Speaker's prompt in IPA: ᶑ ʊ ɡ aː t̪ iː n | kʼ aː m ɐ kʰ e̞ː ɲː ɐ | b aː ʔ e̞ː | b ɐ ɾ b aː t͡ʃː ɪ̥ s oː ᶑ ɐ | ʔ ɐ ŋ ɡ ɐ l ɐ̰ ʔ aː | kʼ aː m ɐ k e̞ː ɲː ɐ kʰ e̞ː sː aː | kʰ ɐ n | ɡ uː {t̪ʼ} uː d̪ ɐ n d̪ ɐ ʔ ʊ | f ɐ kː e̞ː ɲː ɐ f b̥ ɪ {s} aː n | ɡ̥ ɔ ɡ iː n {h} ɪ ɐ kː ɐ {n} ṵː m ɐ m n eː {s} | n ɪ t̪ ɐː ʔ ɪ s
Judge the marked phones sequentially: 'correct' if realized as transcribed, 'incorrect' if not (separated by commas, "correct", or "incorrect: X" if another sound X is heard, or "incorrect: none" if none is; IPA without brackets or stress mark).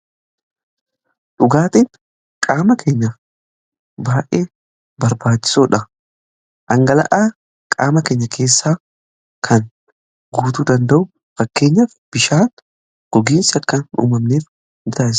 incorrect: t̪, incorrect: ʃ, incorrect: s, correct, incorrect: f